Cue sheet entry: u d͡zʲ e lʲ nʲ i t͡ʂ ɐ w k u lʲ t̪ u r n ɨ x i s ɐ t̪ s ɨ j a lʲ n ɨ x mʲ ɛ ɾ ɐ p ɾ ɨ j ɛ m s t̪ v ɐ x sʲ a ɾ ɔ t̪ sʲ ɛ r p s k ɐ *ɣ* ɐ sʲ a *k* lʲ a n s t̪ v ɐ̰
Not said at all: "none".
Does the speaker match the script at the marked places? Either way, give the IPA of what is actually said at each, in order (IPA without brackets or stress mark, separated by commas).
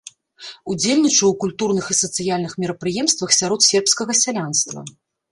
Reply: ɣ, none